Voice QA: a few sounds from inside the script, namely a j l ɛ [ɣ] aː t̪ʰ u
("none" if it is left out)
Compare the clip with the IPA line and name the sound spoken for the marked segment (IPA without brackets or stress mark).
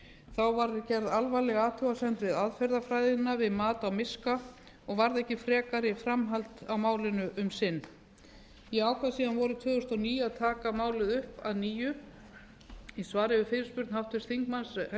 ɣ